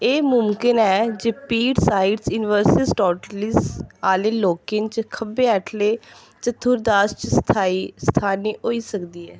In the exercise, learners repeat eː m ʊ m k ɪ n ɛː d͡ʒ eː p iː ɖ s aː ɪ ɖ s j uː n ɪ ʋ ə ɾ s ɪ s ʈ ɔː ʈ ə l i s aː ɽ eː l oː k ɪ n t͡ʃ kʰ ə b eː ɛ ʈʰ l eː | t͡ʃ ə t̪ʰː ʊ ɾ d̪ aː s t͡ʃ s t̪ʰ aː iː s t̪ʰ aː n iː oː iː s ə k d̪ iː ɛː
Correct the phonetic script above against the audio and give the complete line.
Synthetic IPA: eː m ʊ m k ɪ n ɛː d͡ʒ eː p iː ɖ s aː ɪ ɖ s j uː n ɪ ʋ ə ɾ s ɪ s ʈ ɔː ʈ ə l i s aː l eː l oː k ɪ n t͡ʃ kʰ ə b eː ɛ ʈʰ l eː | t͡ʃ ə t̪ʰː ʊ ɾ d̪ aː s t͡ʃ s t̪ʰ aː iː s t̪ʰ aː n iː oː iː s ə k d̪ iː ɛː